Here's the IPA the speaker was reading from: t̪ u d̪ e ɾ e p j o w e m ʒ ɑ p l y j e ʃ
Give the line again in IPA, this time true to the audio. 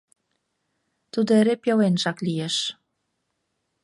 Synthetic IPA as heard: t̪ u d̪ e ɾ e p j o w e n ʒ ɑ k l i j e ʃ

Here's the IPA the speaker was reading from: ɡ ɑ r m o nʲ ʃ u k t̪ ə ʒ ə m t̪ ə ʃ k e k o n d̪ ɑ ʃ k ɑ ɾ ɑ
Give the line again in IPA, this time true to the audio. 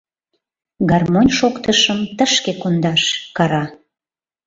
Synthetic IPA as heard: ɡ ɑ r m o nʲ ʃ o k t̪ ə ʃ ə m t̪ ə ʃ k e k o n d̪ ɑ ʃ k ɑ ɾ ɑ

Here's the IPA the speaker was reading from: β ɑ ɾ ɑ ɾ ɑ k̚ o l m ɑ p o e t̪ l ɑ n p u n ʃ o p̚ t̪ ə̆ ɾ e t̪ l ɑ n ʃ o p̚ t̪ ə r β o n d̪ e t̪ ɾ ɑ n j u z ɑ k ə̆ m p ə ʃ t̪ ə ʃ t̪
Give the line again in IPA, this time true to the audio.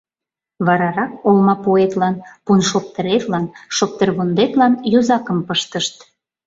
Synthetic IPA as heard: β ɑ ɾ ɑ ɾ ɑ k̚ o l m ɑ p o e t̪ l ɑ n p u n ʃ o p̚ t̪ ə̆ ɾ e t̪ l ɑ n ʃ o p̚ t̪ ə r β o n d̪ e t̪ l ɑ n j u z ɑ k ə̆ m p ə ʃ t̪ ə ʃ t̪

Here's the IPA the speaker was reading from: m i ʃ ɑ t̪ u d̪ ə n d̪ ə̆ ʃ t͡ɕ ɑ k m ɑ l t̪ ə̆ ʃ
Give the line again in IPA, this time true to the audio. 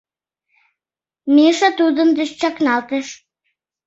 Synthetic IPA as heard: m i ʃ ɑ t̪ u d̪ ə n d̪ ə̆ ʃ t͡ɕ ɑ k n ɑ l t̪ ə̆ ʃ

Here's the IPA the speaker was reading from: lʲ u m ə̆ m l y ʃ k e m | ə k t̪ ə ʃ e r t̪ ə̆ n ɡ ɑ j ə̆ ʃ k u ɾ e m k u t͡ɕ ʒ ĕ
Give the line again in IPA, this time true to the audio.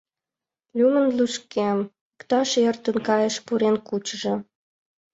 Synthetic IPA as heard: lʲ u m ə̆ n l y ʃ k e m | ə k t̪ ɑ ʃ e r t̪ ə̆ n k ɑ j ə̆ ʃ p u ɾ e n k u t͡ɕ ʒ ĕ

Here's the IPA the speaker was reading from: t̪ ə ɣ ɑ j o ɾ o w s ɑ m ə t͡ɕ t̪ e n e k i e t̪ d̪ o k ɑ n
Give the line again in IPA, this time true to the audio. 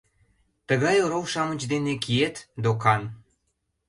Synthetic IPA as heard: t̪ ə ɣ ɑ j o ɾ o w ʃ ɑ m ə t͡ɕ d̪ e n e k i e t̪ d̪ o k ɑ n

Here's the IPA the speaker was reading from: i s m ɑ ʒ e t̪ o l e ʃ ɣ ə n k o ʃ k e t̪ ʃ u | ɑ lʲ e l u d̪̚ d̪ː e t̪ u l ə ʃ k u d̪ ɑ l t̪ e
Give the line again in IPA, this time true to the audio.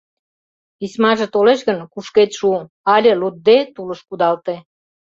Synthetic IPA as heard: i s m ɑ ʒ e t̪ o l e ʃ ɣ ə n k u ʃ k e t̪ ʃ u | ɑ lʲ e l u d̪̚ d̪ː e t̪ u l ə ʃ k u d̪ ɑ l t̪ e

